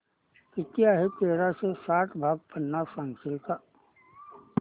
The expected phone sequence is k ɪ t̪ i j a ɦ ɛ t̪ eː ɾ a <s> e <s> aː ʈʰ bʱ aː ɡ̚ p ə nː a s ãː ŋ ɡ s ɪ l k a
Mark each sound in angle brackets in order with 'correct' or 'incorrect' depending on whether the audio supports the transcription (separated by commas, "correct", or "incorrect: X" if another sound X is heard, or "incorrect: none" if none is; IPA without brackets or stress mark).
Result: correct, correct